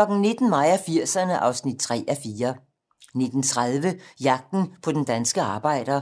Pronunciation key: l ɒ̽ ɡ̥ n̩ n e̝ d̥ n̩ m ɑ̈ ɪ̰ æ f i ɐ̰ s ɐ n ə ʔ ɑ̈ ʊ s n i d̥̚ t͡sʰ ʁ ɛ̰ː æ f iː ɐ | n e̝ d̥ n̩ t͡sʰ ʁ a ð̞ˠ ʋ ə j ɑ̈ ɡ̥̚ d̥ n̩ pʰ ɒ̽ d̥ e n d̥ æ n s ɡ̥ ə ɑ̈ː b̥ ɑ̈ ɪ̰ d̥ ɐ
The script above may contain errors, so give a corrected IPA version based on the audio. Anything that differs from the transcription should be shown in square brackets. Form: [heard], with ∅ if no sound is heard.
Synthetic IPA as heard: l ɒ̽ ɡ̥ n̩ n e̝ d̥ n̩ m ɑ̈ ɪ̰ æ f i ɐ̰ s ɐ n ə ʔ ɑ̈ ʊ s n i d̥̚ t͡sʰ ʁ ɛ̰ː æ f iː ɐ | n e̝ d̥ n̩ t͡sʰ ʁ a ð̞ˠ ʋ ə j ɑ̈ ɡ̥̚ d̥ n̩ pʰ ɒ̽ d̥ e n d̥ æ n s ɡ̥ ə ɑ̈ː b̥ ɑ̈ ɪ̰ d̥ ɐ